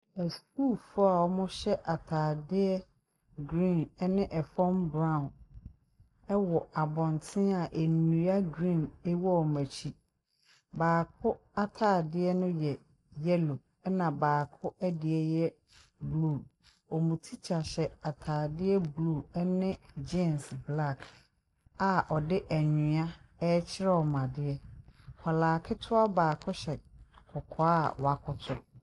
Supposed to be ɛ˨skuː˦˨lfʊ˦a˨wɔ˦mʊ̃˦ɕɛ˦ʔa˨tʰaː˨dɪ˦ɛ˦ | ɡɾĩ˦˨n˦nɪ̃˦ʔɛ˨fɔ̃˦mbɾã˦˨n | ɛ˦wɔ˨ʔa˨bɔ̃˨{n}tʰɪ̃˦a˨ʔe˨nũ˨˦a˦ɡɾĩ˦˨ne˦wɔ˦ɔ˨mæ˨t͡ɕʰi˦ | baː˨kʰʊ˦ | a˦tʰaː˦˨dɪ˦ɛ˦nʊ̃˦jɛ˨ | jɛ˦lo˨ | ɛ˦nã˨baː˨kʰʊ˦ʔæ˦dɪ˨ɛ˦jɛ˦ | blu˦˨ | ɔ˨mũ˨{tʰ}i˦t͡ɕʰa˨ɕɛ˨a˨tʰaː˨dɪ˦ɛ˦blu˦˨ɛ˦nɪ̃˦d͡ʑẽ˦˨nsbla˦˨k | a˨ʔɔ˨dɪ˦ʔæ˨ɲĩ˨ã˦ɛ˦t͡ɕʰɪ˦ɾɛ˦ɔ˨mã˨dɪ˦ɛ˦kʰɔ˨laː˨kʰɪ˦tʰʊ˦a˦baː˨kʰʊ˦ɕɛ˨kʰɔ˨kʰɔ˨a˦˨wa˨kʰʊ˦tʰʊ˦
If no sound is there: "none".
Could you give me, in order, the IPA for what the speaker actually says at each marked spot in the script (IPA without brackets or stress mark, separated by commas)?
n, tʰ